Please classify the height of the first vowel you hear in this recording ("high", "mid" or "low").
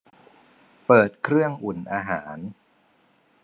mid